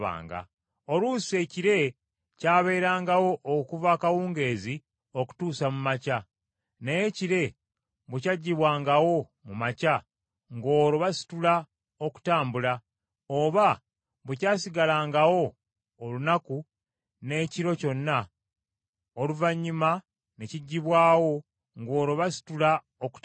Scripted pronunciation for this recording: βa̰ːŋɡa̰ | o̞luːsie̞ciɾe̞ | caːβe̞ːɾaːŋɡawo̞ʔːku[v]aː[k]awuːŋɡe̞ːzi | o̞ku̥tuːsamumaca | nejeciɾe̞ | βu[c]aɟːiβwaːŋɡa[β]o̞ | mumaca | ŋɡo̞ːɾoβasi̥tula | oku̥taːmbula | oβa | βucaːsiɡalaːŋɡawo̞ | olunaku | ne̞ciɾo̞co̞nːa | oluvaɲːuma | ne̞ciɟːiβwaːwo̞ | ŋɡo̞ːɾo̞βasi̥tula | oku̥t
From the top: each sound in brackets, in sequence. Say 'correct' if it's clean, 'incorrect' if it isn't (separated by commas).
correct, correct, correct, incorrect